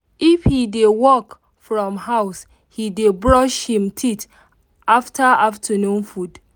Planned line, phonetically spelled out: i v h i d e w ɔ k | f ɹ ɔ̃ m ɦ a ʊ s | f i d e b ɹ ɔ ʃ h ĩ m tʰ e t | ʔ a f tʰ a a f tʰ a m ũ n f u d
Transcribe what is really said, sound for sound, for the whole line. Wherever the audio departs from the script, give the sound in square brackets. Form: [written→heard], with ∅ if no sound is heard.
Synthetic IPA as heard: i [v→f] h i d e w ɔ k | f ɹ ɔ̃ m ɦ a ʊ s | [f→h] i d e b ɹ ɔ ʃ h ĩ m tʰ [e→i] t | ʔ a f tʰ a a f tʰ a [m→n] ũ n f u d

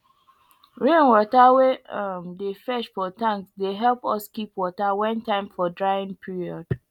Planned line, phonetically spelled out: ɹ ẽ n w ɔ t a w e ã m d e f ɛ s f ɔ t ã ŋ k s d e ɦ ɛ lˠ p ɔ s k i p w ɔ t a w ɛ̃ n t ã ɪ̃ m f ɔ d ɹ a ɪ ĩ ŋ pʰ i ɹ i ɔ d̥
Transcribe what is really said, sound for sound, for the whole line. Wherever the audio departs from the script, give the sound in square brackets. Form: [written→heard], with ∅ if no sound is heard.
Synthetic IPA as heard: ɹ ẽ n w ɔ t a w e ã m d e f ɛ [s→ʃ] f ɔ t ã ŋ k s d e ɦ ɛ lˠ p ɔ s k i p w ɔ t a w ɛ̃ n t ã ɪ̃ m f ɔ d ɹ a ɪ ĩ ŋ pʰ i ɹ i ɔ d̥

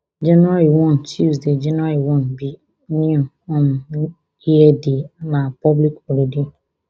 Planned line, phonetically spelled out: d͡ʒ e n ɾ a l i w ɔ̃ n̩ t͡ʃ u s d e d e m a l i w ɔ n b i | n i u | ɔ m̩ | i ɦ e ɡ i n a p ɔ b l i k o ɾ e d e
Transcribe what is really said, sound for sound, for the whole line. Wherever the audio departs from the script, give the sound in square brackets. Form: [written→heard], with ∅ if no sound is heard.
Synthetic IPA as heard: d͡ʒ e n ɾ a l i w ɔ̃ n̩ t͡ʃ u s d e [d→d͡ʒ] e [m→n] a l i w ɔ n b i | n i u | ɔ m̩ | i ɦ e [ɡ→d] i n a p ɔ b l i k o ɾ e d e

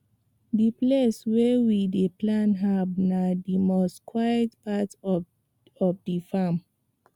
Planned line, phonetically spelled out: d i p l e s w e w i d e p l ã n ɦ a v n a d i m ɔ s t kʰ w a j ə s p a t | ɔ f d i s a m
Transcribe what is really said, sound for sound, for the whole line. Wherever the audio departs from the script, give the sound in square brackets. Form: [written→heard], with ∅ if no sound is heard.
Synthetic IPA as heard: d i p l e s w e w i d e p l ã n ɦ a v n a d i m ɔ s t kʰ w a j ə [s→t] p a t | ɔ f d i [s→f] a m

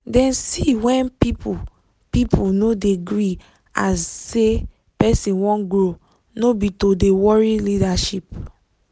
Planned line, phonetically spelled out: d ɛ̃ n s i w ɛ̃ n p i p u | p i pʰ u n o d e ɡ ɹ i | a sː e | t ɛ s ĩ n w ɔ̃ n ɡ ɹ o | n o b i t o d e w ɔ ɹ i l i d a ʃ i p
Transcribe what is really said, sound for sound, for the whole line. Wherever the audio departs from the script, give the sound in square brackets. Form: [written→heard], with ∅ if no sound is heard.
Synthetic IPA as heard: d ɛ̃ n s i w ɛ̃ n p i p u | p i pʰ u n o d e ɡ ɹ i | a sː e | [t→p] ɛ s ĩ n w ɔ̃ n ɡ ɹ o | n o b i t o d e w ɔ ɹ i l i d a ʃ i p

